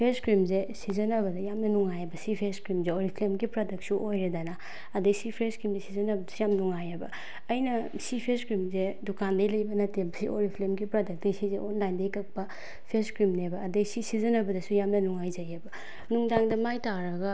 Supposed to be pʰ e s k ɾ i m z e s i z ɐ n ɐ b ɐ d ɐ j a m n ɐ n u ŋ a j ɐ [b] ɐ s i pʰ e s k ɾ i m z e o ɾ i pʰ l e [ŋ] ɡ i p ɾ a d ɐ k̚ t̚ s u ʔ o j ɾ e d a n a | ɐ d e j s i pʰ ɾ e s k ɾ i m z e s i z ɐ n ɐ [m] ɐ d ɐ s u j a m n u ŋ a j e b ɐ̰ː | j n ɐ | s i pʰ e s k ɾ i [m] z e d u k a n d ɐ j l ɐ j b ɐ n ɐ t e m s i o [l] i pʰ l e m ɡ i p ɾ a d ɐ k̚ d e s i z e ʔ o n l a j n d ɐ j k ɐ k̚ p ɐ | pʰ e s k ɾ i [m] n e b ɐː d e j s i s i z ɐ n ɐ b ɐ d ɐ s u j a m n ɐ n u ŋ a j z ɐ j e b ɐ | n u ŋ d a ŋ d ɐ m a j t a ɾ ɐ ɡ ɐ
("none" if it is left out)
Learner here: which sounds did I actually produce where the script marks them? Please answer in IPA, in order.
b, m, b, m, ɾ, m

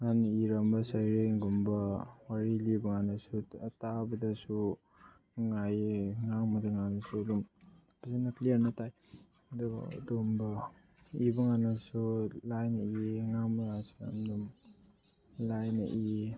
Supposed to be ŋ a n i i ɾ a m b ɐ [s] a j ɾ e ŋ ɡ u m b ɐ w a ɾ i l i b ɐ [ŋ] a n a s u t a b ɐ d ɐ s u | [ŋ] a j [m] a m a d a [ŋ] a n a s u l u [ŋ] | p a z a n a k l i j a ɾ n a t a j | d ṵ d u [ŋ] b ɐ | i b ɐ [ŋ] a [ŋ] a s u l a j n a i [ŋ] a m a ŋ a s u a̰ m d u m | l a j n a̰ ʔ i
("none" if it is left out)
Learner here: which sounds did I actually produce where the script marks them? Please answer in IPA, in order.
s, ŋ, ŋ, ŋ, ŋ, m, m, ŋ, n, ŋ

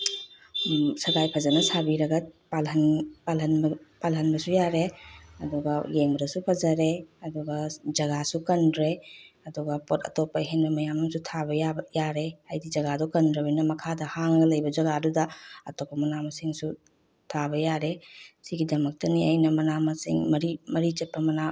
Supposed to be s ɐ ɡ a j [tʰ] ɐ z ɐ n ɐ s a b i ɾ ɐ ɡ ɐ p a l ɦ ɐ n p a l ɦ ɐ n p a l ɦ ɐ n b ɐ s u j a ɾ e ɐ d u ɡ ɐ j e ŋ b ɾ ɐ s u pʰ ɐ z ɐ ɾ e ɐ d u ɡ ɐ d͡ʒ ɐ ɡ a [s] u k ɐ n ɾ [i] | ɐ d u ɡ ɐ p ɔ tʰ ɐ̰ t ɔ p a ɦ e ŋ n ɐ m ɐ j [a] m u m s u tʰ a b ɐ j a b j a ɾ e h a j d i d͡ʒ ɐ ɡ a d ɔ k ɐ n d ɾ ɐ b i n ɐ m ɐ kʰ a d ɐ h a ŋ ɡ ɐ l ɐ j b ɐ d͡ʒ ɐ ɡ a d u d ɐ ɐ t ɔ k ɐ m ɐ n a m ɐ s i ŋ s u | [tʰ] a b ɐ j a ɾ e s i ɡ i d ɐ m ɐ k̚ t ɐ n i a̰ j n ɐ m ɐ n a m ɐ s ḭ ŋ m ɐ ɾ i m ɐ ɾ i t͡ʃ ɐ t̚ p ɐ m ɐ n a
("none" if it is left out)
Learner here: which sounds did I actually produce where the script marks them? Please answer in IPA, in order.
pʰ, s, e, a, tʰ

